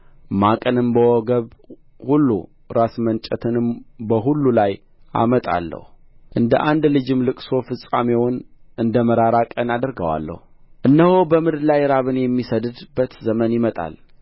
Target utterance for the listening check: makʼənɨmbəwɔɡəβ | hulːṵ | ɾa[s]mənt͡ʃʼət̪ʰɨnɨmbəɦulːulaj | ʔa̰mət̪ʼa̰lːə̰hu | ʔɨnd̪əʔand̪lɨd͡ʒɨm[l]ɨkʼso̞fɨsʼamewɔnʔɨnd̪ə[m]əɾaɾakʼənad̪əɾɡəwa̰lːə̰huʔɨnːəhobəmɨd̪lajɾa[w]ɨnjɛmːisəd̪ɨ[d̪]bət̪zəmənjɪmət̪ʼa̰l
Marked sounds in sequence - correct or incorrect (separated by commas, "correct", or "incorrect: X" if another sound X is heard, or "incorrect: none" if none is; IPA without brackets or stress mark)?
correct, correct, correct, incorrect: β, correct